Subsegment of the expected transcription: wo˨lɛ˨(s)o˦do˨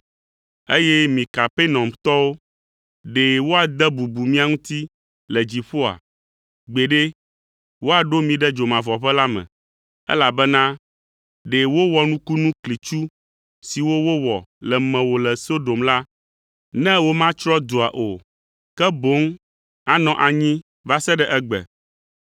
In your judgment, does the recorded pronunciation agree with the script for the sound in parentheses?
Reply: yes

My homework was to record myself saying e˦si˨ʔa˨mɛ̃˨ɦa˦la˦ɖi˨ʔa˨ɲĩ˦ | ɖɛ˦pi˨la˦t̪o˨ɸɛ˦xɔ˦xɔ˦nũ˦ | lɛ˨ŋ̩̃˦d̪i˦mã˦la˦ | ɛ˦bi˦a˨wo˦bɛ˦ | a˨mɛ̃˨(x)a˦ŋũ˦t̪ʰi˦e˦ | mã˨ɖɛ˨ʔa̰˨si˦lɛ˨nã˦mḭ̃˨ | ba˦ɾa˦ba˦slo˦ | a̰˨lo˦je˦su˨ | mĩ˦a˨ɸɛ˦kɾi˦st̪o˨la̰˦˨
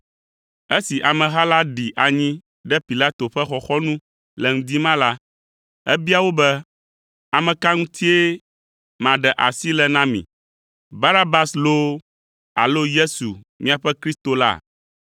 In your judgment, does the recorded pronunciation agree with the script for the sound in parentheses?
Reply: no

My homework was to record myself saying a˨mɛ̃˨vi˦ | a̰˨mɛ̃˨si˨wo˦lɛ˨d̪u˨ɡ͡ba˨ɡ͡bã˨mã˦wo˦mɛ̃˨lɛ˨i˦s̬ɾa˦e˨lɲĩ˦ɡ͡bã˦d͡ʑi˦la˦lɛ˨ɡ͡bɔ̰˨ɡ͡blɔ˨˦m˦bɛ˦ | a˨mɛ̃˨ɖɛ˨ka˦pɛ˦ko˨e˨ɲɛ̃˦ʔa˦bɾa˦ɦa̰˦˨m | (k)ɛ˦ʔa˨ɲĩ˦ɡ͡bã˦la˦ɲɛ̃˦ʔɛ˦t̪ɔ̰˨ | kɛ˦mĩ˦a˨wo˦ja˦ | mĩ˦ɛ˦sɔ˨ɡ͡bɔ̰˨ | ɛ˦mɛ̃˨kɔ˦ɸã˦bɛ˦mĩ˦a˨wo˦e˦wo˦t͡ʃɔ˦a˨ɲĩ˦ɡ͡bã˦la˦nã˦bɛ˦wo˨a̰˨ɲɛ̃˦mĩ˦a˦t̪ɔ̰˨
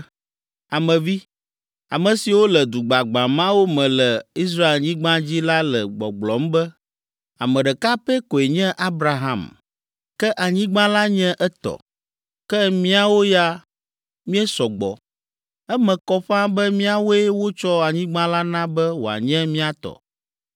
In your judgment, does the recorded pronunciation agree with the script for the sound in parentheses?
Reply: yes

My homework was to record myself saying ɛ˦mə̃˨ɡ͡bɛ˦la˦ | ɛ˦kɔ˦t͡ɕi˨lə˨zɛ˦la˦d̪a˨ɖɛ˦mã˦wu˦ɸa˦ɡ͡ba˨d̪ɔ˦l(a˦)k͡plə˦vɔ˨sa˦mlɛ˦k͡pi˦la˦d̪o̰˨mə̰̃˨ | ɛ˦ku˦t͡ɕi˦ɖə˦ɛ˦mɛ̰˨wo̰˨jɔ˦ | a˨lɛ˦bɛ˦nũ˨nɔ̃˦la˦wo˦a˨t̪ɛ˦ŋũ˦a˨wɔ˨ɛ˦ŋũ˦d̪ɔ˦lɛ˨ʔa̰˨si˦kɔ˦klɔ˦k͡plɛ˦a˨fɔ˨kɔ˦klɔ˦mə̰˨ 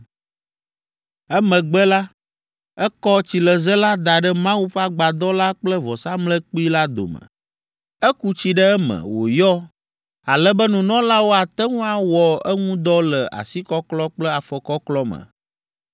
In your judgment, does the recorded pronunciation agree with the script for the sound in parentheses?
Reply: yes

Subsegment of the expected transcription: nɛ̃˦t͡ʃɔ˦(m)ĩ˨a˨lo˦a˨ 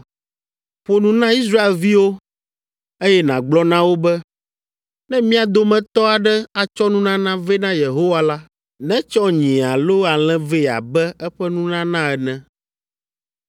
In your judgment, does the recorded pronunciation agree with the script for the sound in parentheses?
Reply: no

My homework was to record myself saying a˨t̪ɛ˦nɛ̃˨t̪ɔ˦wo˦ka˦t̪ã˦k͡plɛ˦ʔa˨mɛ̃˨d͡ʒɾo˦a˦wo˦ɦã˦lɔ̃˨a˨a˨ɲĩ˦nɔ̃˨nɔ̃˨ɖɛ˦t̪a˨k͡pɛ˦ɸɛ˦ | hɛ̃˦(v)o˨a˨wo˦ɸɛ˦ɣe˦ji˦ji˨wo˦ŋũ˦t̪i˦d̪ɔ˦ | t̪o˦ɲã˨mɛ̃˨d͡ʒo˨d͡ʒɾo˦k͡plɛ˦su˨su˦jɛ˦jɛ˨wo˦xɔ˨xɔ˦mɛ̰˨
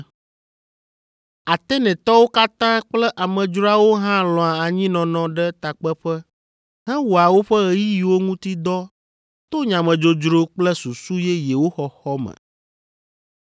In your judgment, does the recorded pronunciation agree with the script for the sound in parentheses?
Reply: no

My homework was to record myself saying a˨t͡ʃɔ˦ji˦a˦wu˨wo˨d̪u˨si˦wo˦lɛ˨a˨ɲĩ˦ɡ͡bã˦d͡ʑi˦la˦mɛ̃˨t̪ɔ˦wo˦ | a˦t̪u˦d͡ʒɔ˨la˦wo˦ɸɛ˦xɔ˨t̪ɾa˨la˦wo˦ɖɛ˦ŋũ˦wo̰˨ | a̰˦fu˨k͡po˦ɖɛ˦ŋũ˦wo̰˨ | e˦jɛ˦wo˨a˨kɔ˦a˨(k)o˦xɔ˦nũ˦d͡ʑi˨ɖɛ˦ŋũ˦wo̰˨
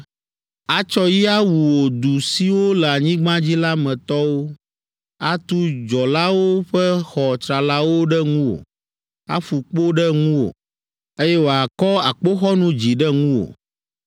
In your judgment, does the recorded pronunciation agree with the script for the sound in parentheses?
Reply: no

